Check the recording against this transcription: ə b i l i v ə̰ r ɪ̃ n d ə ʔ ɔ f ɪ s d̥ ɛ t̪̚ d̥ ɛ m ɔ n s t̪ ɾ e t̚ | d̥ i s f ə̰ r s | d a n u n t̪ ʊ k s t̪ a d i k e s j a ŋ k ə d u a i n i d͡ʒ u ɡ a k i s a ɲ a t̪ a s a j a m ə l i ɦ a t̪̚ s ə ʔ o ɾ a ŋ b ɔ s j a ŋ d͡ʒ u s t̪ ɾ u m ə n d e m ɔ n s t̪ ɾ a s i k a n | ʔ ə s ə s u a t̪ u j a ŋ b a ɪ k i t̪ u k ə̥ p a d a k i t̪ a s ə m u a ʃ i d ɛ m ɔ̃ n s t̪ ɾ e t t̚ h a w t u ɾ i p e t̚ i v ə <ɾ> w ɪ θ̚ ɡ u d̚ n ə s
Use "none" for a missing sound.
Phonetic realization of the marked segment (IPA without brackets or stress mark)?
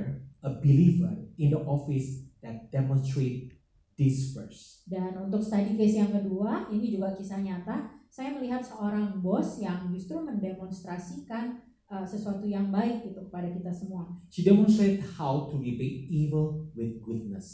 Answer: l